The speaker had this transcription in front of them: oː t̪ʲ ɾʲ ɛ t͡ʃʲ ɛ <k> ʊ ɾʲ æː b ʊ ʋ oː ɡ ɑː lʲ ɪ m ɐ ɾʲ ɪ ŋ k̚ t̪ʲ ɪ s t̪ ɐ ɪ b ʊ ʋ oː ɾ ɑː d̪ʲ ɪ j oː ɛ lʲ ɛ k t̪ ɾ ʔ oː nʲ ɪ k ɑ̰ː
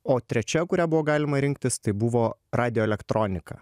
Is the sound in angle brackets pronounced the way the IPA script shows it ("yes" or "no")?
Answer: yes